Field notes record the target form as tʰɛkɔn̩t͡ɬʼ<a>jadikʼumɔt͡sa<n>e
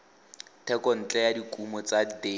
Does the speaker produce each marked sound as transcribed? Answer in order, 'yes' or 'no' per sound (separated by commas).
no, no